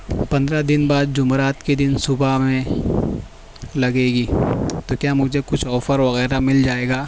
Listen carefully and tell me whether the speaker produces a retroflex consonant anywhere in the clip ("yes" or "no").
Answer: no